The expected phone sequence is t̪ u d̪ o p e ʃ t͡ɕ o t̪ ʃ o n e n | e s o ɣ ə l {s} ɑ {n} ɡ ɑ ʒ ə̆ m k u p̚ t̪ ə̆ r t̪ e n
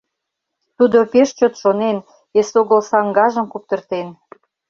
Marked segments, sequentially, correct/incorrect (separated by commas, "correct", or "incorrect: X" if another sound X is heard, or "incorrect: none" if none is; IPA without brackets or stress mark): correct, incorrect: ŋ